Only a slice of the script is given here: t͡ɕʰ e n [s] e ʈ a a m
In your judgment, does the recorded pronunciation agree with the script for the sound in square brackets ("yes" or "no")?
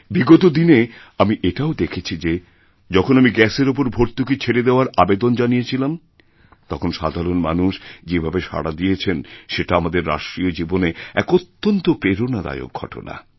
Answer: no